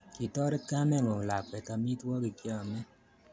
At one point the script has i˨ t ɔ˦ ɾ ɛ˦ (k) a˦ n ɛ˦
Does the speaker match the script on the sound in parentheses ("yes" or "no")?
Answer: yes